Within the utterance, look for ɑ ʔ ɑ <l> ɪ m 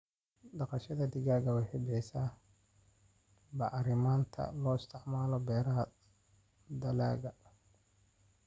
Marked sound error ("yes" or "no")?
yes